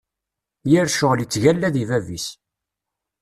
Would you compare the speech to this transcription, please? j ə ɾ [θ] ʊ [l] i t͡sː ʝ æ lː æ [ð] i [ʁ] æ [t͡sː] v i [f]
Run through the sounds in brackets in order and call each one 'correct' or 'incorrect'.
incorrect: ʃ, correct, correct, incorrect: v, incorrect: none, incorrect: s

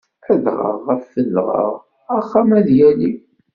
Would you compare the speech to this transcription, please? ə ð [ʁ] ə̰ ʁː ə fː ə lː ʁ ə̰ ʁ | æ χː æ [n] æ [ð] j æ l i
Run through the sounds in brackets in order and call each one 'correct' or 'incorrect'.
correct, incorrect: m, correct

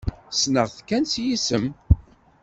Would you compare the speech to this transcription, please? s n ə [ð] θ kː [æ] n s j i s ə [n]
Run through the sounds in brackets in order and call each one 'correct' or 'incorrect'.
incorrect: ʁ, correct, incorrect: m

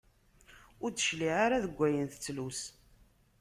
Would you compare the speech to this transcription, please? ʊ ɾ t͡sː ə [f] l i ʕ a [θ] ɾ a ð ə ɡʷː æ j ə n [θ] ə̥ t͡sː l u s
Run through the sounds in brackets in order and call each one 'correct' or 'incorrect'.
incorrect: ʃ, incorrect: none, correct

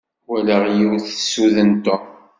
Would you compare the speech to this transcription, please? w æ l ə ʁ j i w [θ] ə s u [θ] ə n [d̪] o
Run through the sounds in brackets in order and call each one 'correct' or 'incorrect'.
correct, incorrect: ð, incorrect: t̪

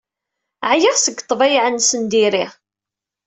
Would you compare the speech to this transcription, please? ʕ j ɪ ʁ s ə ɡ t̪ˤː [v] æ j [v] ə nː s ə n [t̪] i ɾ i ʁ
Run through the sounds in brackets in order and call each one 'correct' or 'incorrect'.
correct, incorrect: ʕ, incorrect: d̪

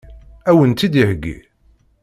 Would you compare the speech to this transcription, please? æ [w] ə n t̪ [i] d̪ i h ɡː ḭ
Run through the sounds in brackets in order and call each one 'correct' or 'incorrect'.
correct, correct

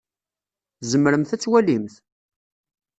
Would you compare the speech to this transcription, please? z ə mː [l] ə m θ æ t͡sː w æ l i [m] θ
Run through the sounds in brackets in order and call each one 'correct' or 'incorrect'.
incorrect: ɾ, correct

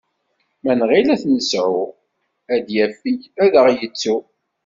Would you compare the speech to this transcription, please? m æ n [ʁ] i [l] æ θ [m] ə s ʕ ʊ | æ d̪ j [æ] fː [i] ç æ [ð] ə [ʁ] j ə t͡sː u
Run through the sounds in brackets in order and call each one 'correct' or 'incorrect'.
correct, correct, incorrect: n, correct, correct, correct, correct

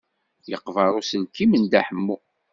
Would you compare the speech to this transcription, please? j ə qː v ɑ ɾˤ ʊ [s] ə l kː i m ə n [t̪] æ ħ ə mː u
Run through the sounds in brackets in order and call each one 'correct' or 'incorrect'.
correct, incorrect: d̪

